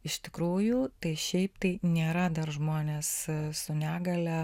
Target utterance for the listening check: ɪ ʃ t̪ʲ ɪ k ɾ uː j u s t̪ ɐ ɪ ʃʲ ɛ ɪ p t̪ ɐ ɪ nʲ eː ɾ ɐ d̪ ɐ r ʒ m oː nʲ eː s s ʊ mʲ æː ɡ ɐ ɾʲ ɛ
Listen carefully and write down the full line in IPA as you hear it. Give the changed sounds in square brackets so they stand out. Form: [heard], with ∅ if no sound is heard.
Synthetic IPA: ɪ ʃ t̪ʲ ɪ k ɾ uː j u [∅] t̪ ɐ ɪ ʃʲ ɛ ɪ p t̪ ɐ ɪ nʲ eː ɾ ɐ d̪ ɐ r ʒ m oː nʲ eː s s ʊ [nʲ] æː ɡ ɐ [lʲ] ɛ